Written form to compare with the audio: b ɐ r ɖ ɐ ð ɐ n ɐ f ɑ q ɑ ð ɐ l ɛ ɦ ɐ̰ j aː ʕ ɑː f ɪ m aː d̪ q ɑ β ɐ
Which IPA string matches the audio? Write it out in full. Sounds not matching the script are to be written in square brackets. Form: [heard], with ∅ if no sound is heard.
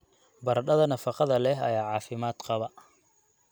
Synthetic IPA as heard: b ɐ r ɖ ɐ ð ɐ n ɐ f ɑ q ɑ ð ɐ l ɛ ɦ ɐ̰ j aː ʕ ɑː f ɪ m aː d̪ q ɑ β ɐ